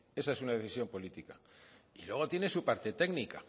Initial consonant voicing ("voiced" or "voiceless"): voiceless